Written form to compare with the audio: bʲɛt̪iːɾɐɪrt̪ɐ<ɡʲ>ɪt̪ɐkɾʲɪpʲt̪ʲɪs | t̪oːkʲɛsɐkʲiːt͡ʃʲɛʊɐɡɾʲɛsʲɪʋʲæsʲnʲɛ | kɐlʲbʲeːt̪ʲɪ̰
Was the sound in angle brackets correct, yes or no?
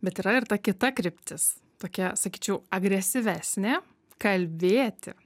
no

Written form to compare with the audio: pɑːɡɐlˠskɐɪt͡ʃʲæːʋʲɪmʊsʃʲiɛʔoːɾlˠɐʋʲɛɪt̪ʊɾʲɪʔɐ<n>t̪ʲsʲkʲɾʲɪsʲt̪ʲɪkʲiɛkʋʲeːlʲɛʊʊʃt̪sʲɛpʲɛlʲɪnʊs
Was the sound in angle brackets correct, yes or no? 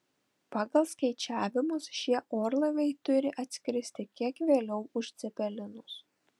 no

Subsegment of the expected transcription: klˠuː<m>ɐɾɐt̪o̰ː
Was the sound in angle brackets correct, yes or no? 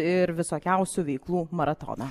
yes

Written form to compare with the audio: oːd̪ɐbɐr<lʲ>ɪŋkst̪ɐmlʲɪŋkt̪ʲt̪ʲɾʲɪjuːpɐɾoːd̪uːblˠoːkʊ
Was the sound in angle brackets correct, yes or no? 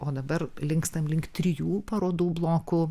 yes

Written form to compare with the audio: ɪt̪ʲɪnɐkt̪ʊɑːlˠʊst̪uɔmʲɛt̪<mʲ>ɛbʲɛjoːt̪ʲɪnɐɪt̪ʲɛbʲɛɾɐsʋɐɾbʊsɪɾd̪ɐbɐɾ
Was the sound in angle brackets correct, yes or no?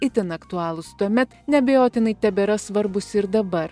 no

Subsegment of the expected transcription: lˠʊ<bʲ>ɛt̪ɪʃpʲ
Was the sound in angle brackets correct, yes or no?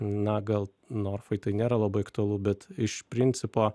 yes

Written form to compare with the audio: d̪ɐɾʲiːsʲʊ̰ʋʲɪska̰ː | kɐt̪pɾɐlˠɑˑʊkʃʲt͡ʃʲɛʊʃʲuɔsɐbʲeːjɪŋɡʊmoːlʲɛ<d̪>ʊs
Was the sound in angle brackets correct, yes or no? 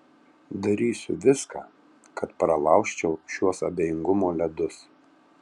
yes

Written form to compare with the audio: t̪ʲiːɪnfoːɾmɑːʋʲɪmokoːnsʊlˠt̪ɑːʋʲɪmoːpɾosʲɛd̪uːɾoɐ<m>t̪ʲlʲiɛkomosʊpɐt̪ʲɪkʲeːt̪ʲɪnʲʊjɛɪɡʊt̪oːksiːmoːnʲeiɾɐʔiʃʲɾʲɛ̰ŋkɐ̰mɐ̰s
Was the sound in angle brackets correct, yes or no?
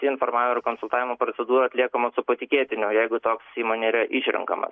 no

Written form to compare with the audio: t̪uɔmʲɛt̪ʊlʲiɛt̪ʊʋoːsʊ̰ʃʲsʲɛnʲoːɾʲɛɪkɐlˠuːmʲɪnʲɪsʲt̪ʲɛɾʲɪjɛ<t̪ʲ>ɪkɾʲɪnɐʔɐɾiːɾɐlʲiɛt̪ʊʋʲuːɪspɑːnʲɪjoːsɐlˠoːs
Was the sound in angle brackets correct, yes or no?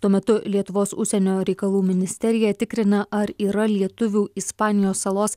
yes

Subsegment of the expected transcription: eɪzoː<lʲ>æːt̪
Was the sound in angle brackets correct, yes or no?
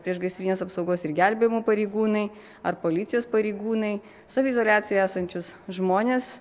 yes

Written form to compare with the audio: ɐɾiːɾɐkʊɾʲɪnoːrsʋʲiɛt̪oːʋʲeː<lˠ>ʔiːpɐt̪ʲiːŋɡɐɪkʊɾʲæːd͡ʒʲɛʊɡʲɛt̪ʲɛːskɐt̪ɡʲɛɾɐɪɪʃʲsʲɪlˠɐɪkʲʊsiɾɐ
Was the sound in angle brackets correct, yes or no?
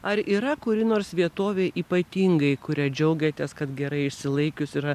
no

